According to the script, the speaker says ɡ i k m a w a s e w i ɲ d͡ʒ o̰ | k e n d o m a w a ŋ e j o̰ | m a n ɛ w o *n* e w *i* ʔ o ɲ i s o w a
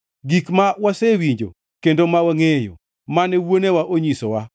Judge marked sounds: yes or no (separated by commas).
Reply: yes, no